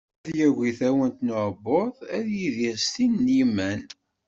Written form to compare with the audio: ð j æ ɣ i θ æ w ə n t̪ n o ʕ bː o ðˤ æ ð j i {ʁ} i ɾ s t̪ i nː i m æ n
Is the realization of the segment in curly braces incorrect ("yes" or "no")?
yes